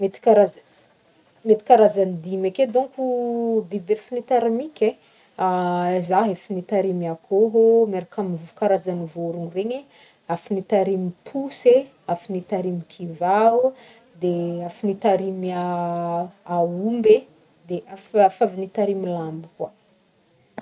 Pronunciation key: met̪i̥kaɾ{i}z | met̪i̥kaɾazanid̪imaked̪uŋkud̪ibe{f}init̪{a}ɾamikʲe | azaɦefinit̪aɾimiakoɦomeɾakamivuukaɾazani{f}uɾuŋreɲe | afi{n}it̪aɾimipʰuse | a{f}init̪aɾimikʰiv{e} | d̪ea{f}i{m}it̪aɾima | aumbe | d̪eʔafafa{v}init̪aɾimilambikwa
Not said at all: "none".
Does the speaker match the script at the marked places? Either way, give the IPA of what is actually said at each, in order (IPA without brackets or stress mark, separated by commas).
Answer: a, f, a, v, n, f, a, f, n, v